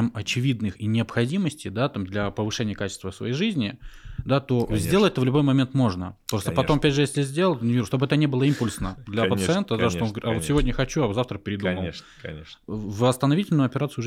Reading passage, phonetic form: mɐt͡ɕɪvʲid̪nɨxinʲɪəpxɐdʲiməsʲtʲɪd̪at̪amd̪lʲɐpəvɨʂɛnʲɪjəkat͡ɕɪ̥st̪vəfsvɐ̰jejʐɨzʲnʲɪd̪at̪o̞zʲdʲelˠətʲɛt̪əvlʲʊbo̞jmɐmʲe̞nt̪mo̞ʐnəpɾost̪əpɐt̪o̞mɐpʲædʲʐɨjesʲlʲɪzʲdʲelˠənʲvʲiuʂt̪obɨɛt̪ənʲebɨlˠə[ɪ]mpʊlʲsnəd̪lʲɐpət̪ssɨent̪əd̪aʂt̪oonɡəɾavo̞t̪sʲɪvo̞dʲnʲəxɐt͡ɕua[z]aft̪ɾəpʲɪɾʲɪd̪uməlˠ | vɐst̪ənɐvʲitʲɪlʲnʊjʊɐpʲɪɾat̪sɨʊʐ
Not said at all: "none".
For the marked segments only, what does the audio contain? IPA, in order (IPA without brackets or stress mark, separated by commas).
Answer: i, z